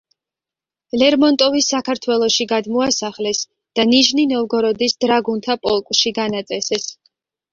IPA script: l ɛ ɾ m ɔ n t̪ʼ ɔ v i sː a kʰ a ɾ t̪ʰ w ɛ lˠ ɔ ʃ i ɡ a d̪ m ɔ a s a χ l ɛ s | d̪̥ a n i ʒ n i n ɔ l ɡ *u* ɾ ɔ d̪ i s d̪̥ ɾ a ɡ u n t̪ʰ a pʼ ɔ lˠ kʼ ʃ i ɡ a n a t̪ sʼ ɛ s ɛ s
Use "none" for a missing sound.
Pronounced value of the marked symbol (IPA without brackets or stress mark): ɔ